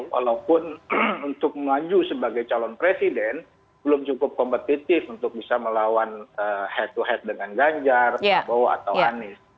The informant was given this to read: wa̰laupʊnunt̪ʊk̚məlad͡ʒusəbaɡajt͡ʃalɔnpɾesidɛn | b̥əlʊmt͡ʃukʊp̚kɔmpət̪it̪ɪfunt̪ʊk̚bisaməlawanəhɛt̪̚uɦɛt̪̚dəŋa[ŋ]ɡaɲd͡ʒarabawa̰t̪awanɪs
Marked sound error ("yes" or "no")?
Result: yes